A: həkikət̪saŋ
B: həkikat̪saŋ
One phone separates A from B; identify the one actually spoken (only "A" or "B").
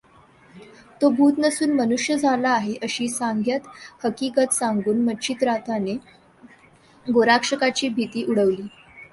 A